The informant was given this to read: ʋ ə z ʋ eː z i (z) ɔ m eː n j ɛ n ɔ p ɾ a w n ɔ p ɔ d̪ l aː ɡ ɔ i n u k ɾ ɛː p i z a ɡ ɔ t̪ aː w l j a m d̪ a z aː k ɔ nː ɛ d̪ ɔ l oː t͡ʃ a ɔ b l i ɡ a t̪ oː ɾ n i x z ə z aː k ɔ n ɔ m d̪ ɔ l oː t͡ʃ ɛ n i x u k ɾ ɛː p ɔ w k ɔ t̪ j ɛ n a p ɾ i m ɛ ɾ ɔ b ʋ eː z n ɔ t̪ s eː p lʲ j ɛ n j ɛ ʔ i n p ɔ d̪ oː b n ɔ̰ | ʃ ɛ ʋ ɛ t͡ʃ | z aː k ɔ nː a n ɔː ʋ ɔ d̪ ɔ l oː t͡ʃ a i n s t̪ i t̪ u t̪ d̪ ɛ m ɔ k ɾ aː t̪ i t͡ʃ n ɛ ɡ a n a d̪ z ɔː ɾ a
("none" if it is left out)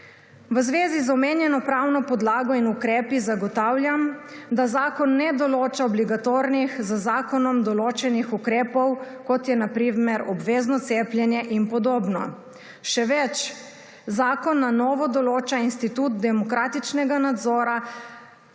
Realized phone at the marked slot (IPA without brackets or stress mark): z